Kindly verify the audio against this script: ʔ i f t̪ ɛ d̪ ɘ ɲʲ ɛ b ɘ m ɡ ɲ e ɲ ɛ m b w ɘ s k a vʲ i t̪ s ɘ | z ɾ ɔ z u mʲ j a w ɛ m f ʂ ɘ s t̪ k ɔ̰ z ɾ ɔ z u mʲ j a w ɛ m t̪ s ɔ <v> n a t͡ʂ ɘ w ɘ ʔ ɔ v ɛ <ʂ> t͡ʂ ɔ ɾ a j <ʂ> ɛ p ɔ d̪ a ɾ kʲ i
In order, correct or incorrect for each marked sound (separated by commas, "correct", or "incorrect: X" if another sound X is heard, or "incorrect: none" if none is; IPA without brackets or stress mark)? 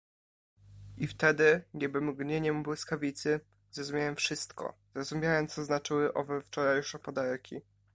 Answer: incorrect: z, incorrect: f, correct